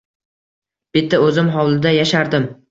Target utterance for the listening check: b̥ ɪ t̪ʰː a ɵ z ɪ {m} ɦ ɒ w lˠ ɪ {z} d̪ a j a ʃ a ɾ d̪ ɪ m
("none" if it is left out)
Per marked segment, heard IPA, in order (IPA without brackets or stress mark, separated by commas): m, none